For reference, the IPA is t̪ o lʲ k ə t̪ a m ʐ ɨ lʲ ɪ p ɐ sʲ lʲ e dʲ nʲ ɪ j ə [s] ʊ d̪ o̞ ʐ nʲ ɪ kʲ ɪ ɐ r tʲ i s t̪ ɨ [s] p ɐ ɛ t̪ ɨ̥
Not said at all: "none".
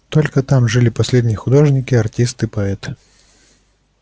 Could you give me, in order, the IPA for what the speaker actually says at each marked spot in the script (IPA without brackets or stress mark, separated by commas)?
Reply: x, none